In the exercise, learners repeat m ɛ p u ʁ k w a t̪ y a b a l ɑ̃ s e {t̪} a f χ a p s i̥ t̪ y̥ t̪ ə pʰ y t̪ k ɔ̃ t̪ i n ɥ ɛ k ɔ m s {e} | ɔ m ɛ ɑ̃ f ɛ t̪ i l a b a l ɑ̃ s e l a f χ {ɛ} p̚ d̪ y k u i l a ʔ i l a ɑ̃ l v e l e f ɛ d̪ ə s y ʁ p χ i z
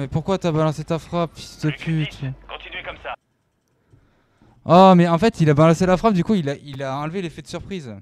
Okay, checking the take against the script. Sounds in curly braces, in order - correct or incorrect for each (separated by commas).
correct, incorrect, incorrect